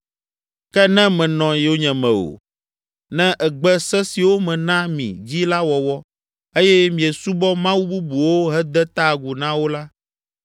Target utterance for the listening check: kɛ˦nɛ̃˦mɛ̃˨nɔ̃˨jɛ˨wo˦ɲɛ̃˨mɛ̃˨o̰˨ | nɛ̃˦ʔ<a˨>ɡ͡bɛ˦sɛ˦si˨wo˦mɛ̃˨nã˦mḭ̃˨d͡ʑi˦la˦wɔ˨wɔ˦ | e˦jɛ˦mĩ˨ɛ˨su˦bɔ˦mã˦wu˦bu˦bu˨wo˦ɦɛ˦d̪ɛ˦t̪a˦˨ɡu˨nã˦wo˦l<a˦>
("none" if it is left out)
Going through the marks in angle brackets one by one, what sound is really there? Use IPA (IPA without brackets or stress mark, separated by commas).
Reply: ɛ˨, a˦